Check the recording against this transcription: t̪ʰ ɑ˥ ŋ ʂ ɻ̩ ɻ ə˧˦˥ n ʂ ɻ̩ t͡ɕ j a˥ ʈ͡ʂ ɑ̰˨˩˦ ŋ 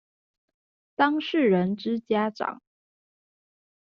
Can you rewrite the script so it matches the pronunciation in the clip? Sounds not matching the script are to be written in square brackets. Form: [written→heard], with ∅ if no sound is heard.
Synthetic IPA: [t̪ʰ→t̪] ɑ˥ ŋ ʂ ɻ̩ ɻ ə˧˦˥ n [ʂ→ʈ͡ʂ] ɻ̩ t͡ɕ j a˥ ʈ͡ʂ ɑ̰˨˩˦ ŋ